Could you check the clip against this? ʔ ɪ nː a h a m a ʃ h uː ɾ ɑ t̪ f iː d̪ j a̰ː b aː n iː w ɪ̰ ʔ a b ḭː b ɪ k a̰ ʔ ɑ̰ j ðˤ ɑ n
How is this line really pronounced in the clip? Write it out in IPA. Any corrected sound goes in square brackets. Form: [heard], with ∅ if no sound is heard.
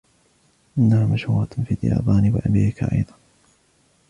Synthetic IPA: ʔ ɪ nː a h a m a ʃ h uː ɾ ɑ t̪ f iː d̪ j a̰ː b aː n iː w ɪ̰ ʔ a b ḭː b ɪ k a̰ ʔ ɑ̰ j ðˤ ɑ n